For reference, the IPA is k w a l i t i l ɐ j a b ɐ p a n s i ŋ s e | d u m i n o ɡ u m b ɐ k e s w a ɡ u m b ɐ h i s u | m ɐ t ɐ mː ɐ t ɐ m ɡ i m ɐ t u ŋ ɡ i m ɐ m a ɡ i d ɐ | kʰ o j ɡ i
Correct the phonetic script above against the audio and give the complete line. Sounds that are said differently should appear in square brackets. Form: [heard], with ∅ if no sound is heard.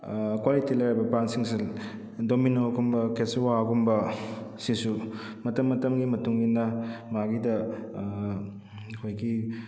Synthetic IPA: k w a l i t i l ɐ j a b ɐ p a n s i ŋ s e | d [o] m i n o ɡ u m b ɐ k e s w a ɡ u m b ɐ [s] i s u | m ɐ t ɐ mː ɐ t ɐ m ɡ i m ɐ t u ŋ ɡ i [n] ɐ m a ɡ i d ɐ | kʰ o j ɡ i